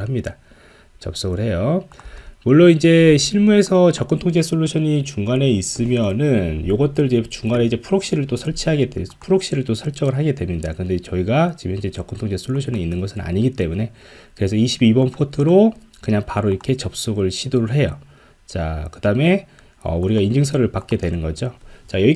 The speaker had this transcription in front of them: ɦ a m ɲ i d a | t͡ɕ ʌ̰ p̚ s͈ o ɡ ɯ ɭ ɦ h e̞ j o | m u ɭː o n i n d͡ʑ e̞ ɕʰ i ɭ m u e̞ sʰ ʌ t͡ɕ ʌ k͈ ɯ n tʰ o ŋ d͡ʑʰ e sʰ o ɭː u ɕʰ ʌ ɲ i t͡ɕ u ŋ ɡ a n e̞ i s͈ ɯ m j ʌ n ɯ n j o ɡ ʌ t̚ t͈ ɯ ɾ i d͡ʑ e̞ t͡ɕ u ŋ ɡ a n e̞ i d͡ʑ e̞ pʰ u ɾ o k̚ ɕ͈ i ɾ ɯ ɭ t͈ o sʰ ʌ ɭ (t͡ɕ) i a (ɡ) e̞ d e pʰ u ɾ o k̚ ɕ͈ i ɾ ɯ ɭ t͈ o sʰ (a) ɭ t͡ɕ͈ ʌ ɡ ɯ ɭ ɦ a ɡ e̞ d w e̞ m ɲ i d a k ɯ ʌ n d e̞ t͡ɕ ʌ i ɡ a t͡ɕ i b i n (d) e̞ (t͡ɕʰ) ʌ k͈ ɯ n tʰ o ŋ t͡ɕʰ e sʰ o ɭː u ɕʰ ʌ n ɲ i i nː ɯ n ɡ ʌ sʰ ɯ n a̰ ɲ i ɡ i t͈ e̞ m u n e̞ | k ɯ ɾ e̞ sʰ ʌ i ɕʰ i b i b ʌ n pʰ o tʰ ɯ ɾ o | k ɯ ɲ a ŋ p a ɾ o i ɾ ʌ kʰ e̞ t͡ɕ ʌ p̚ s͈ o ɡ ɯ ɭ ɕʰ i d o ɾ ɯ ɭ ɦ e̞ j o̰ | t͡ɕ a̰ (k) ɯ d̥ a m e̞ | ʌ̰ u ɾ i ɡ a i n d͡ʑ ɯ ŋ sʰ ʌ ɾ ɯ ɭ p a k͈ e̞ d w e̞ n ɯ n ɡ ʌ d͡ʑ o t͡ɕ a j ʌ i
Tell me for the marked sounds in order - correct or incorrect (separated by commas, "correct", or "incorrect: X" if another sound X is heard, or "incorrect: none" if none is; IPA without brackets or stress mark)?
incorrect: t͡ɕʰ, correct, incorrect: ʌ, incorrect: d͡ʑ, incorrect: t͡ɕ, correct